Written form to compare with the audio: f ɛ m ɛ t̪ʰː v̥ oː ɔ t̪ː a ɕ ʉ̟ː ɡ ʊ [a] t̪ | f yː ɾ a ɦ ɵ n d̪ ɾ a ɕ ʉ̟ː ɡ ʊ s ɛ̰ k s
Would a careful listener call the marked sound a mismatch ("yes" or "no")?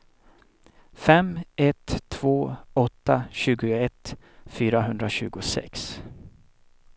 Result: yes